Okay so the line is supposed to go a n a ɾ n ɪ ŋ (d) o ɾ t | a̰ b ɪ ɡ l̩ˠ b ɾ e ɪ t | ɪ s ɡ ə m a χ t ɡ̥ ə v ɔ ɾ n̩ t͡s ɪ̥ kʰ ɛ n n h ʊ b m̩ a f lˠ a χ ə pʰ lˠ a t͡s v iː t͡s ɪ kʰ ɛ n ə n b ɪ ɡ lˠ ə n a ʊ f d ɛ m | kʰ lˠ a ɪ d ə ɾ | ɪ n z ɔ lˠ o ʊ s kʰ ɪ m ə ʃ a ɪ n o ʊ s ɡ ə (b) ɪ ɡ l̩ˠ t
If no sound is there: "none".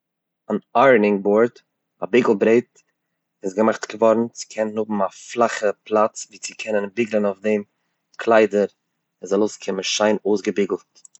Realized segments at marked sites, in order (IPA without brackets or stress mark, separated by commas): b, b